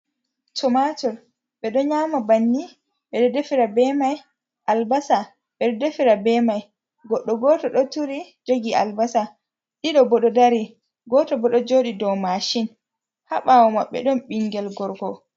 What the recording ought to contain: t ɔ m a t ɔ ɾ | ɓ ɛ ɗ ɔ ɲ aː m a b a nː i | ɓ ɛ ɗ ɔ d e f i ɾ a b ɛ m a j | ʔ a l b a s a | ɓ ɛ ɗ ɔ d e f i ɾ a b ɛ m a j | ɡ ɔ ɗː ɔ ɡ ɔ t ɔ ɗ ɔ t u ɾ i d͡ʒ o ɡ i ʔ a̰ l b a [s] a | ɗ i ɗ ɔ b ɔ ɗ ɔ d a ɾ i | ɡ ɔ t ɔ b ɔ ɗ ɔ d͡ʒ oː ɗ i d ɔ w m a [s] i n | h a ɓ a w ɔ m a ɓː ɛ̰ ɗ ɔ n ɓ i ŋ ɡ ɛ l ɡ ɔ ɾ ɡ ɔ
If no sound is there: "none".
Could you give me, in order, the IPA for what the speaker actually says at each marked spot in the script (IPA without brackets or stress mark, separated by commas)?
s, ʃ